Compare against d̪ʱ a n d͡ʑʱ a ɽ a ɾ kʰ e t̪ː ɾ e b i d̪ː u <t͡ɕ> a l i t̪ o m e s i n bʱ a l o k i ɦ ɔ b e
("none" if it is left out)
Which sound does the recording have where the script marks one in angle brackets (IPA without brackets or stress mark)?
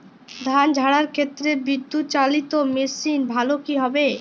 t͡ɕ